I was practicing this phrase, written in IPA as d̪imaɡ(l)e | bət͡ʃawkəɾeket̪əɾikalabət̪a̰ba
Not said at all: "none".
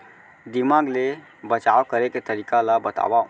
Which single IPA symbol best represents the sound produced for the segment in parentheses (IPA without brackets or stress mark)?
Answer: l